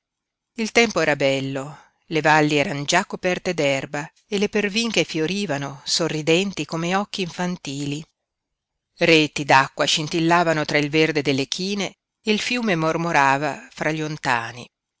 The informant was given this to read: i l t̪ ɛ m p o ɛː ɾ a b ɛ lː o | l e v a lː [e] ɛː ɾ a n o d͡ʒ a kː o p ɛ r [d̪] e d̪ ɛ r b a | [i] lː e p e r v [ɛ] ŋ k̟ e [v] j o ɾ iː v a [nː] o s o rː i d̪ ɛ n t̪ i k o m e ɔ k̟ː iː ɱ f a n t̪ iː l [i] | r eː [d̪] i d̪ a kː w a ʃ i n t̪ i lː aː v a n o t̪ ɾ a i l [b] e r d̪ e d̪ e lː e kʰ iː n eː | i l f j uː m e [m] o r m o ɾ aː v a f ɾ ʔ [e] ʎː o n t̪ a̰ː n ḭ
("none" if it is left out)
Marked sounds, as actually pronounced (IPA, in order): i, t̪, e, i, f, n, i, t̪, v, m, a

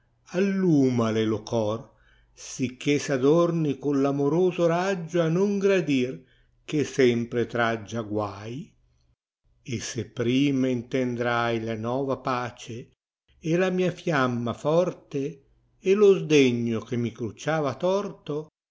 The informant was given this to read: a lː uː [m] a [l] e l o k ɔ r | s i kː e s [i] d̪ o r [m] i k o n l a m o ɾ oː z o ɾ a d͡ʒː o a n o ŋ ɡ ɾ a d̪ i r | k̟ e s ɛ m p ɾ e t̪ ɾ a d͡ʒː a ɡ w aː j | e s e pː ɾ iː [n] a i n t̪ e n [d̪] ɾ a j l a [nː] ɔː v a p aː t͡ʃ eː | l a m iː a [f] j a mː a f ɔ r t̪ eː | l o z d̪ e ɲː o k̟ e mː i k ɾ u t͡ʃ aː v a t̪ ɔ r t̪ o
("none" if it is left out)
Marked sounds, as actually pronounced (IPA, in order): m, l, a, n, m, d̪, n, f

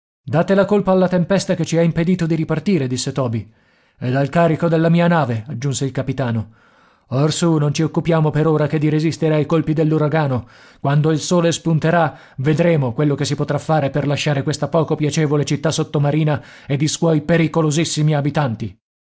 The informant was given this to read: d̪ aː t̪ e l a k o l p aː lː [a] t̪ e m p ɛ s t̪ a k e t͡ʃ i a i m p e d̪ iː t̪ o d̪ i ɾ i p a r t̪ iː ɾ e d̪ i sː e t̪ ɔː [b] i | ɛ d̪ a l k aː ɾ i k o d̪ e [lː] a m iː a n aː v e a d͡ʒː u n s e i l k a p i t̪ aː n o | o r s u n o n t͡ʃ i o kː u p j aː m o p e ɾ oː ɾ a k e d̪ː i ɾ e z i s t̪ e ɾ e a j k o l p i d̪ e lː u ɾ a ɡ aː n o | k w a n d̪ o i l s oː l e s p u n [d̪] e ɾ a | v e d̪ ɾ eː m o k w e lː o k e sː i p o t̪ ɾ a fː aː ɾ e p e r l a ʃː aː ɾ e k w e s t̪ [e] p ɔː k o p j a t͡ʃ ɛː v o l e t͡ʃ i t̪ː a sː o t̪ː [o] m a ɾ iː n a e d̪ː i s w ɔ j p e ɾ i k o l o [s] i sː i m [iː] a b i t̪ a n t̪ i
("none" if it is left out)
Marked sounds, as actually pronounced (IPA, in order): a, b, lː, t̪, a, o, z, i

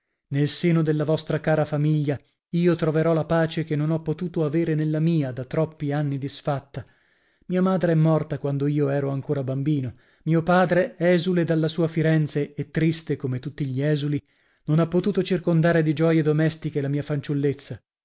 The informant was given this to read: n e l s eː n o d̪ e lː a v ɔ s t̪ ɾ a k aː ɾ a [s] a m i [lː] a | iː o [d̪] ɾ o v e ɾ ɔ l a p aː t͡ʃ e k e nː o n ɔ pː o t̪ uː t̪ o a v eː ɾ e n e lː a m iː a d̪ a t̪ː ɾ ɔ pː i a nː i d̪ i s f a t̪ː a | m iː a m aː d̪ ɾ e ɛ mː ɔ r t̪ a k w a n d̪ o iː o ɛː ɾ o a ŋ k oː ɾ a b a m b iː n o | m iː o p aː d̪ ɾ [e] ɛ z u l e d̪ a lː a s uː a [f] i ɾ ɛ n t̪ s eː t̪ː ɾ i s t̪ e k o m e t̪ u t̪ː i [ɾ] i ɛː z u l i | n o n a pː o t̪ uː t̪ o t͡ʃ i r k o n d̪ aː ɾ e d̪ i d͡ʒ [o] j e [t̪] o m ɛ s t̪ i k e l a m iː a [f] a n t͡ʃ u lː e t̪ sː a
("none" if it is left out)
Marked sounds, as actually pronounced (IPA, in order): f, ʎː, t̪, e, f, ʎ, ɔ, d̪, f

